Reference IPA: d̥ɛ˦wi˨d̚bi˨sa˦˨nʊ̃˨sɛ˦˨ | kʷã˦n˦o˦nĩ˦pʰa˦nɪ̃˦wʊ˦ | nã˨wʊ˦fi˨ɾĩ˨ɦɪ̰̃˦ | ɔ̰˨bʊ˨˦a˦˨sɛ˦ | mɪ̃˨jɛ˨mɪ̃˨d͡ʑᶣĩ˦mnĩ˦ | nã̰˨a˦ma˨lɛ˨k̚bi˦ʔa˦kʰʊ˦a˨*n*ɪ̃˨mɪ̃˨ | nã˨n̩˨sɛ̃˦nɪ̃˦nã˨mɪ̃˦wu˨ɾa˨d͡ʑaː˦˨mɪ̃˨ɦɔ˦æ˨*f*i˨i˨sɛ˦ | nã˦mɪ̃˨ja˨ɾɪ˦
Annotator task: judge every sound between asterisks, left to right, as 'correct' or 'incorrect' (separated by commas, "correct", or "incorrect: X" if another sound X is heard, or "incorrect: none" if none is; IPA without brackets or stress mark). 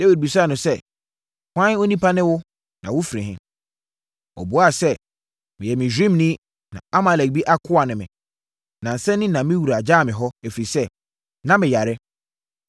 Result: correct, correct